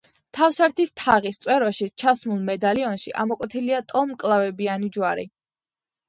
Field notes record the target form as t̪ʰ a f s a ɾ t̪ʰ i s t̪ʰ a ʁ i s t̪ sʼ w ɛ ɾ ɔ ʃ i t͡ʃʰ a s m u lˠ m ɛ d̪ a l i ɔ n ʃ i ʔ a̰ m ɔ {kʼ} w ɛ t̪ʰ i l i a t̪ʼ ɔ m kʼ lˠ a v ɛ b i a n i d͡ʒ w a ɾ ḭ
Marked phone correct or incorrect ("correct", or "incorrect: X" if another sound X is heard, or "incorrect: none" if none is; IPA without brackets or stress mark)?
correct